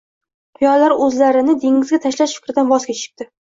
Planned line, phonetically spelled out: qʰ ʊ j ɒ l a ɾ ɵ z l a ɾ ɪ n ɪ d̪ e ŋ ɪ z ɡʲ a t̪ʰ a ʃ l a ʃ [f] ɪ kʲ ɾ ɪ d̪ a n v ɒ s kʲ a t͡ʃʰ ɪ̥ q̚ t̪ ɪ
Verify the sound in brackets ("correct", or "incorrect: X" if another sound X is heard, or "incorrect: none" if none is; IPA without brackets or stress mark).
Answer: correct